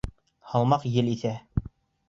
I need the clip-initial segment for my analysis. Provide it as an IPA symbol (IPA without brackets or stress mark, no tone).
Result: h